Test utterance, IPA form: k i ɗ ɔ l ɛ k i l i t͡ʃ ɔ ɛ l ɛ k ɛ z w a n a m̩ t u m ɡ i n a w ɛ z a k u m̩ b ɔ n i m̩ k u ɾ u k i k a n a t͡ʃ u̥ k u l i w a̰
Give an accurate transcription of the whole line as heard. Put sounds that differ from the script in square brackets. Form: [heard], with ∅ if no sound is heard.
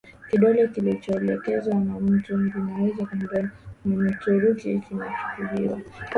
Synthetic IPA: k i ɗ ɔ l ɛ k i l i t͡ʃ ɔ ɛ l ɛ k ɛ z w a n a m̩ t u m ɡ i n a w ɛ z a k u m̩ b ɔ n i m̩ [t] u ɾ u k i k [i] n a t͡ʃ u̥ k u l i w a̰